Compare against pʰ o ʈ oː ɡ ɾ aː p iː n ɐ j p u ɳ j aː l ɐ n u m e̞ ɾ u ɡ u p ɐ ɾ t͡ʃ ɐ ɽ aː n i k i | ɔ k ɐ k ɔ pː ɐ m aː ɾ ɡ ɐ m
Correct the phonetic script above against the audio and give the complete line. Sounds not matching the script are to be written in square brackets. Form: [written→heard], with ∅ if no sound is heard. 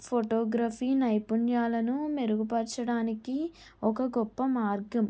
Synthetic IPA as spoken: pʰ o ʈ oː ɡ ɾ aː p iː n ɐ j p u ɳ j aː l ɐ n u m e̞ ɾ u ɡ u p ɐ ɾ t͡ʃ ɐ ɽ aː n i k i | ɔ k ɐ [k→ɡ] ɔ pː ɐ m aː ɾ ɡ ɐ m